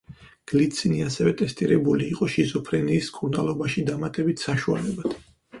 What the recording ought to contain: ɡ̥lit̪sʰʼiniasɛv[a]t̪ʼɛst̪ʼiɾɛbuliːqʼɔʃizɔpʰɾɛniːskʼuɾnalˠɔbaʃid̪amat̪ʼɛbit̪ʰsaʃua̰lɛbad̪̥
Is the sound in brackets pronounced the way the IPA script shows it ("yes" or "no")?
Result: no